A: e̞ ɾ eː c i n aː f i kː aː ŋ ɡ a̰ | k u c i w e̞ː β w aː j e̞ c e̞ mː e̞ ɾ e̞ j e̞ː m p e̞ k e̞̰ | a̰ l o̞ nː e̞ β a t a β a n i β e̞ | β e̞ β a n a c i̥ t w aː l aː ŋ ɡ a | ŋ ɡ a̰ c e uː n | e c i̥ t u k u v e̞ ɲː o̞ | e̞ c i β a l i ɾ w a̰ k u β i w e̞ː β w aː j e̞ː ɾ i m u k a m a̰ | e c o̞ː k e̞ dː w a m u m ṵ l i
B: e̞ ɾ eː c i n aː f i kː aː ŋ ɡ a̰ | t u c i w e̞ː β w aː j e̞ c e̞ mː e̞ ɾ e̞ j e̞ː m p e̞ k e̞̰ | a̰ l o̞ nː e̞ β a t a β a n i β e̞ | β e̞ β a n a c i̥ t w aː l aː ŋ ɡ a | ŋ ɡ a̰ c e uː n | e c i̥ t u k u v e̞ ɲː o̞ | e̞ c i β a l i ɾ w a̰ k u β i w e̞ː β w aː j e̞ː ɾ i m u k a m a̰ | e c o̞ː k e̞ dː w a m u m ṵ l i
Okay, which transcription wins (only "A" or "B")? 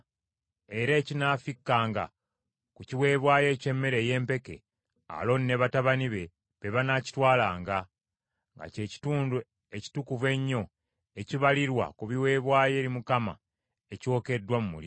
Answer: A